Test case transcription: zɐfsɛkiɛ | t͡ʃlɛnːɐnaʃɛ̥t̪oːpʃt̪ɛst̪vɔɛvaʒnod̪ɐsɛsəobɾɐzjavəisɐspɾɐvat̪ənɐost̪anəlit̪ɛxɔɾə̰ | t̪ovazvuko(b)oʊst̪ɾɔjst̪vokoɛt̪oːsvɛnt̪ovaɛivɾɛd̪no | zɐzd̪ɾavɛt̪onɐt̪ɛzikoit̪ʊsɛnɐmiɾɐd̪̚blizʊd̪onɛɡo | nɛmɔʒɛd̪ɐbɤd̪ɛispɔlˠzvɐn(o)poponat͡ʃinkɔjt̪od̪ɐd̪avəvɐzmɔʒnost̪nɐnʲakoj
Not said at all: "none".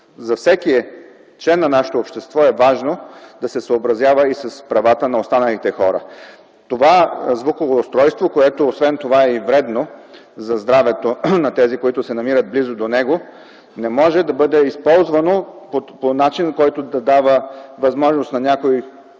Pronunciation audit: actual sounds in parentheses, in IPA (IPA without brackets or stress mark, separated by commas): v, o